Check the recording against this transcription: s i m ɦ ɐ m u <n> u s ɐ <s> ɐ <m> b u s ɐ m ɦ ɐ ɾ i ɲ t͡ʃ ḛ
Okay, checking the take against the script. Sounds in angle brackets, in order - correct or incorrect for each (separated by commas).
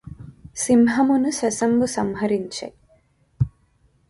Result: correct, correct, correct